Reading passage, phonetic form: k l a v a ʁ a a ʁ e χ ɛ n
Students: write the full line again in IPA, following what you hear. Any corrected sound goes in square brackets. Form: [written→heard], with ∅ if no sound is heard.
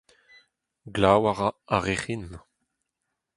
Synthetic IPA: [k→ɡ] l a [v→w] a ʁ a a ʁ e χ [ɛ→i] n